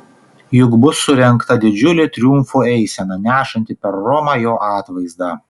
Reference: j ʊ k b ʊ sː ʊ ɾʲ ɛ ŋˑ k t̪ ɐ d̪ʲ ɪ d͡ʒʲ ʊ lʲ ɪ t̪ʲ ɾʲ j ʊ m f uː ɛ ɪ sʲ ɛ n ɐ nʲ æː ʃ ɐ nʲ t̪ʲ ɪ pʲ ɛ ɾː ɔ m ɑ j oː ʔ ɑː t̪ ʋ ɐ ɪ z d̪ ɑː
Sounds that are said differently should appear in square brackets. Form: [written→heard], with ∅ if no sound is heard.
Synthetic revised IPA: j ʊ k b ʊ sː ʊ ɾʲ ɛ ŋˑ k t̪ ɐ d̪ʲ ɪ d͡ʒʲ ʊ lʲ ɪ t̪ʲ ɾʲ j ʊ m f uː ɛ ɪ sʲ ɛ n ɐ nʲ æː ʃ ɐ nʲ t̪ʲ ɪ pʲ ɛ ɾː ɔ m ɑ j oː ʔ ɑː t̪ ʋ ɐ ɪ z d̪ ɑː

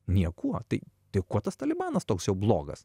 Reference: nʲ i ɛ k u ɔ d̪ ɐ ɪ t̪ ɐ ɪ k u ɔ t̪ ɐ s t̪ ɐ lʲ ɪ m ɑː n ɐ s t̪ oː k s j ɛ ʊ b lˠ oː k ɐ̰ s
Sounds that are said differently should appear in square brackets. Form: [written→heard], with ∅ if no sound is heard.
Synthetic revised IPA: nʲ i ɛ k u ɔ [d̪→t̪] ɐ ɪ t̪ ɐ ɪ k u ɔ t̪ ɐ s t̪ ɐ lʲ ɪ [m→b] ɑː n ɐ s t̪ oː k s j ɛ ʊ b lˠ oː [k→ɡ] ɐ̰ s

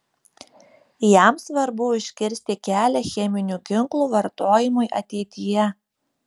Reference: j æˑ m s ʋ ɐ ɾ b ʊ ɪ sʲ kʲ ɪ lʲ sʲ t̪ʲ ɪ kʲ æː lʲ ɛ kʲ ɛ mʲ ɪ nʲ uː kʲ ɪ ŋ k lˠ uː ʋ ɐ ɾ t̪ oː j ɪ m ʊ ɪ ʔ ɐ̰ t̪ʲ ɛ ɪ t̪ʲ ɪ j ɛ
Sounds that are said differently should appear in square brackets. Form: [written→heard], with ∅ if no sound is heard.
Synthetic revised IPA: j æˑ m s ʋ ɐ ɾ b ʊ ɪ [sʲ→ʃʲ] kʲ ɪ [lʲ→ɾʲ] sʲ t̪ʲ ɪ kʲ æː lʲ ɛ [kʲ→xʲ] ɛ mʲ ɪ nʲ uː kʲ ɪ ŋ k lˠ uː ʋ ɐ ɾ t̪ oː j ɪ m ʊ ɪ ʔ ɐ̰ t̪ʲ ɛ ɪ t̪ʲ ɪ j ɛ

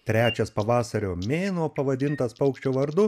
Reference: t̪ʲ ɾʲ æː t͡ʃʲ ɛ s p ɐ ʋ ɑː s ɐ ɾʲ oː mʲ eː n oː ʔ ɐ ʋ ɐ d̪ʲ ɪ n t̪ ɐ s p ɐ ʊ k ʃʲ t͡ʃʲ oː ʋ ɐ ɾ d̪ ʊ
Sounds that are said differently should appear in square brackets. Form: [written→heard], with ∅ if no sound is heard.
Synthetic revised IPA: t̪ʲ ɾʲ æː t͡ʃʲ ɛ s p ɐ ʋ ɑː s ɐ ɾʲ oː mʲ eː n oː [ʔ→p] ɐ ʋ ɐ d̪ʲ ɪ n t̪ ɐ s p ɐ ʊ k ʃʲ t͡ʃʲ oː ʋ ɐ ɾ d̪ ʊ

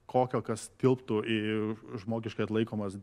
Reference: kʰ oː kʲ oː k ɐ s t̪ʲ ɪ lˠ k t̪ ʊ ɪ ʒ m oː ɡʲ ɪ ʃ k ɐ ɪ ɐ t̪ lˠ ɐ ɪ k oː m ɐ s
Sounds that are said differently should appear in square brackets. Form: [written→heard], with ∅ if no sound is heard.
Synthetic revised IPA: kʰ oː kʲ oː k ɐ s t̪ʲ ɪ lˠ [k→p] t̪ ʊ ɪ ʒ m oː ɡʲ ɪ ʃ k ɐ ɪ ɐ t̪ lˠ ɐ ɪ k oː m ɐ s

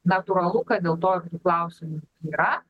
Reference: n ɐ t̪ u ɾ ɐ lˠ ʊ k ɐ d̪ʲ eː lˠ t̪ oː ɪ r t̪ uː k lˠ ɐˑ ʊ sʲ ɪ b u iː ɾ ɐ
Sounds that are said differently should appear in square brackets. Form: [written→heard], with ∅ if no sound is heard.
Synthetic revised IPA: n ɐ t̪ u ɾ ɐ lˠ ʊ k ɐ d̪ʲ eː lˠ t̪ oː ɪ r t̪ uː k lˠ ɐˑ ʊ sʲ ɪ [b→m] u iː ɾ ɐ

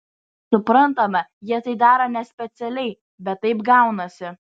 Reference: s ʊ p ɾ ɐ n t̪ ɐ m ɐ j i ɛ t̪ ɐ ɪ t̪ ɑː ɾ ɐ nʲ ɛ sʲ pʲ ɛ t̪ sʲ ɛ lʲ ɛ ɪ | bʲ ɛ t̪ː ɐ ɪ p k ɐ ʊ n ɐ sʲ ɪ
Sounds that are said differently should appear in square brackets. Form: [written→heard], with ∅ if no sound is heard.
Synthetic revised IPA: s ʊ p ɾ ɐ n t̪ ɐ m ɐ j i ɛ t̪ ɐ ɪ [t̪→d̪] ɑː ɾ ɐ nʲ ɛ sʲ pʲ ɛ t̪ sʲ ɛ lʲ ɛ ɪ | bʲ ɛ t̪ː ɐ ɪ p [k→ɡ] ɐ ʊ n ɐ sʲ ɪ

